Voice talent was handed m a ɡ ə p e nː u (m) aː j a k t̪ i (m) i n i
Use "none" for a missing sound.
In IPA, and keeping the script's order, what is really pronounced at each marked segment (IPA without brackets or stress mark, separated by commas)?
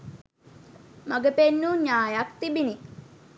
ɲ, b